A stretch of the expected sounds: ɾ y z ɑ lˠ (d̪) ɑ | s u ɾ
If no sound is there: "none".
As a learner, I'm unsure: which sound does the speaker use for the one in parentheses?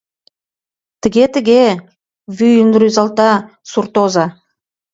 t̪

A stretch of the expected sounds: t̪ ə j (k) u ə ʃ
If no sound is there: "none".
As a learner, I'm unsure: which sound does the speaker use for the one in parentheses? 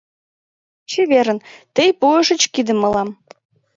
p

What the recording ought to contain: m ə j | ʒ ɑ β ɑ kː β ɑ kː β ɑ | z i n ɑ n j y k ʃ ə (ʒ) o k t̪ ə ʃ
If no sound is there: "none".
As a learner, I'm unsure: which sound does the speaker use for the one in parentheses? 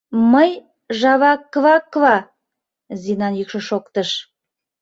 ʃ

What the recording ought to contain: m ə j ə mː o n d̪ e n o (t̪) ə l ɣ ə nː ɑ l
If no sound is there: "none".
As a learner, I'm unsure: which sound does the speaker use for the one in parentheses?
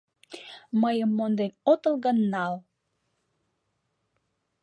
t̪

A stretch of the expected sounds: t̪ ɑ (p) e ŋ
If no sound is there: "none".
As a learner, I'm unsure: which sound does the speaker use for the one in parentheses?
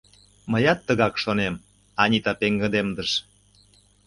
p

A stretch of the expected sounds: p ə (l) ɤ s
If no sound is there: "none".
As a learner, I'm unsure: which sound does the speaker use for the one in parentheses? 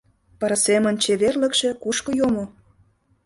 ɾ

